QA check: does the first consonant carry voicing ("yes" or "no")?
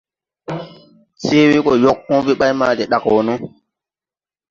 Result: no